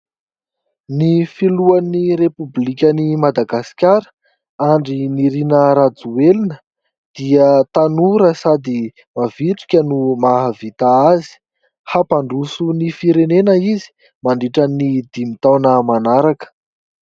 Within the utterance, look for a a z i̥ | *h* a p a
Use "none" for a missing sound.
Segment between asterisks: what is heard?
h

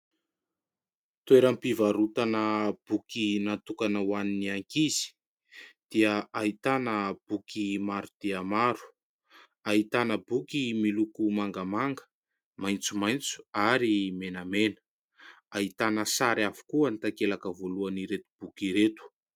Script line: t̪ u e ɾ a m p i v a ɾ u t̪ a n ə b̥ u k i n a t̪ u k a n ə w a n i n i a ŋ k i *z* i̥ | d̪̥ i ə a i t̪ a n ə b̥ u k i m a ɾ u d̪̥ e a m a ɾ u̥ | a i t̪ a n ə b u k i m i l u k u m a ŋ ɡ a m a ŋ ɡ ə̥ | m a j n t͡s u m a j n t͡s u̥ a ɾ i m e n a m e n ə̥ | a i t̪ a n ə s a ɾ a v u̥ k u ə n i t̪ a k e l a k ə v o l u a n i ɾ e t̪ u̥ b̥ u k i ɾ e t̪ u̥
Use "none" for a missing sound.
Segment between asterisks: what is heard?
z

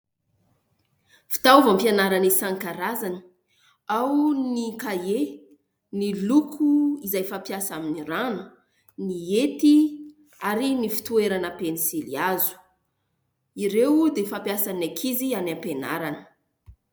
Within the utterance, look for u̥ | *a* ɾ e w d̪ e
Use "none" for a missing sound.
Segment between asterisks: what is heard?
i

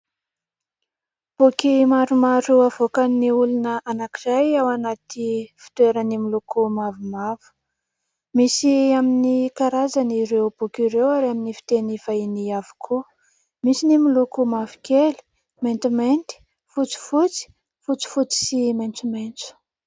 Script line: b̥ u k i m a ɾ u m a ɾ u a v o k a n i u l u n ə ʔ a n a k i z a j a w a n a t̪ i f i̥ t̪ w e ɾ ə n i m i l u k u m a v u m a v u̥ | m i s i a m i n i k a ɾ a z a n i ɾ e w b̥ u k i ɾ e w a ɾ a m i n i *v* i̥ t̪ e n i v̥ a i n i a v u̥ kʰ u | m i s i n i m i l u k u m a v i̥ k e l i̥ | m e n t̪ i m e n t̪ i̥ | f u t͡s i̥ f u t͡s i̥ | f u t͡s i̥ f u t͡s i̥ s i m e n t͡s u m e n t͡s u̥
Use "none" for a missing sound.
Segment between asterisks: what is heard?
f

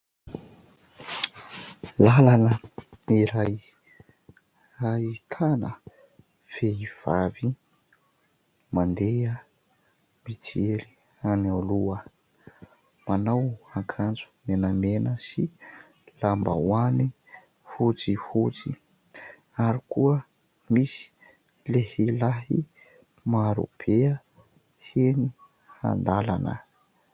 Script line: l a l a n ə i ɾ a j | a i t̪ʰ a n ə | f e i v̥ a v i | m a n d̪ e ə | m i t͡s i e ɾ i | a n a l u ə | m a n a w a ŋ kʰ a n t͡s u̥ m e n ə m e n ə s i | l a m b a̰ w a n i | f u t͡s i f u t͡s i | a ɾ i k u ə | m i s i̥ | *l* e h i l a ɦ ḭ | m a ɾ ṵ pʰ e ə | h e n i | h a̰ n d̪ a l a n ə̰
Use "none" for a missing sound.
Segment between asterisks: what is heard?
l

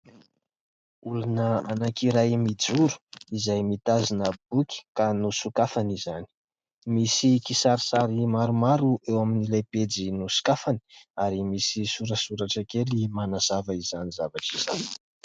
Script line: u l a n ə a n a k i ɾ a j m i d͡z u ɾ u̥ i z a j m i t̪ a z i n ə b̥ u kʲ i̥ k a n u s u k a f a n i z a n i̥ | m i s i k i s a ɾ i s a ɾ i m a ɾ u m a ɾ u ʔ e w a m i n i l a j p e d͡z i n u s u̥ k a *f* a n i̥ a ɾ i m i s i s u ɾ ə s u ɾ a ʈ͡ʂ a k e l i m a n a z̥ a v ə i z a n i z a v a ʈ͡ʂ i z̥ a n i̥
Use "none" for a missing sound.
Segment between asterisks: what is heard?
f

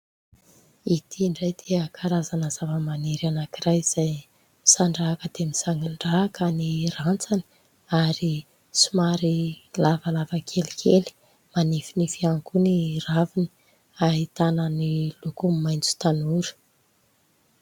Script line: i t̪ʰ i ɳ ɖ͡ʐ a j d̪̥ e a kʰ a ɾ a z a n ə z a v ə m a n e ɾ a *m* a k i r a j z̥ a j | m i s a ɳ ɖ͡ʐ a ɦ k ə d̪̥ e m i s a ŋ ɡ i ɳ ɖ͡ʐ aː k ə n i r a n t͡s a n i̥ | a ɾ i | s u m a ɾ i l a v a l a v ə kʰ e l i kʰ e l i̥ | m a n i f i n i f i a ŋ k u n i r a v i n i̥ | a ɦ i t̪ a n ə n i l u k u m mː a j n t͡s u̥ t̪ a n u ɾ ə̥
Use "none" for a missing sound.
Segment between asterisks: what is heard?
n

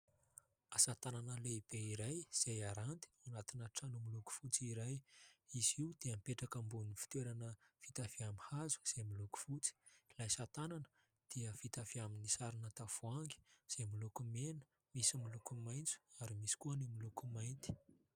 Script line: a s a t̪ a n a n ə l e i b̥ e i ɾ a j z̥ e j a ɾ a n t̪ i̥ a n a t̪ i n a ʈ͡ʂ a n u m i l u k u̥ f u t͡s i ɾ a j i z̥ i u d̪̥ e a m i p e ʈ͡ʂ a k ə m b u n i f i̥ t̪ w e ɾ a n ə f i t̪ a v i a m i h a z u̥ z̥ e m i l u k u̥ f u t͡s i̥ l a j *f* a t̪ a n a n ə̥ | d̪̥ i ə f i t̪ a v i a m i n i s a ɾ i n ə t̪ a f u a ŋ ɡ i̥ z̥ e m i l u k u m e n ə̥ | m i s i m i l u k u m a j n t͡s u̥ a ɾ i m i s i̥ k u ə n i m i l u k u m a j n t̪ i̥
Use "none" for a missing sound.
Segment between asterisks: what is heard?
s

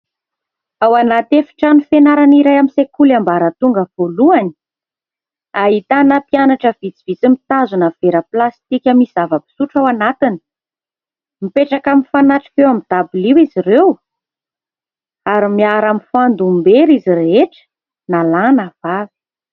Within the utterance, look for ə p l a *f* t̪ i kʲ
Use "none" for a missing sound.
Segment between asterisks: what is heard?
s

